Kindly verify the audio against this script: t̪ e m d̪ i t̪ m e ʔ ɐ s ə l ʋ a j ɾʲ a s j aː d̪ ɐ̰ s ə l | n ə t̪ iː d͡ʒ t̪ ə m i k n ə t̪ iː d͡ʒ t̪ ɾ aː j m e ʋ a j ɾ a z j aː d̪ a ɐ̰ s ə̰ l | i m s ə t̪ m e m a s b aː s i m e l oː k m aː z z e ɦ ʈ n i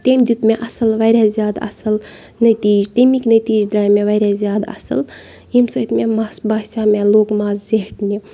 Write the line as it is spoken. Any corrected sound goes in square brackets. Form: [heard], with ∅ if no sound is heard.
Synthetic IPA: t̪ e m d̪ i t̪ m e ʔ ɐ s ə l ʋ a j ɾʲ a [z] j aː d̪ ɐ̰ s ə l | n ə t̪ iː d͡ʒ t̪ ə m i k n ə t̪ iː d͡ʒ [d̪] ɾ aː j m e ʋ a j ɾ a z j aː d̪ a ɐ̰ s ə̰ l | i m s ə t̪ m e m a s b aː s [a] m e l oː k m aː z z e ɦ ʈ n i